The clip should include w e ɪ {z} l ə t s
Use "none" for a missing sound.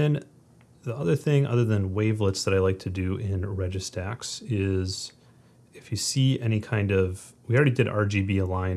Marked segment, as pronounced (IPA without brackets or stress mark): v